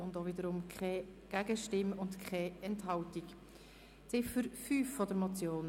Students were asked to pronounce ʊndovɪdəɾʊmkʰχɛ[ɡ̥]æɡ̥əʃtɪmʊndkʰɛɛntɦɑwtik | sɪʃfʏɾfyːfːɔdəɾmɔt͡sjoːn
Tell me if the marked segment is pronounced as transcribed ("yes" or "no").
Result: yes